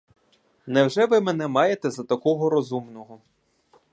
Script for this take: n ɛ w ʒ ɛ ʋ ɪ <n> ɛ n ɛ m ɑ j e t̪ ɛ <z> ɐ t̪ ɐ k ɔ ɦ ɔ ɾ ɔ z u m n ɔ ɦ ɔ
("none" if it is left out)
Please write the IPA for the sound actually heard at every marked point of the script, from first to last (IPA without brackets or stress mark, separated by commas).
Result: m, z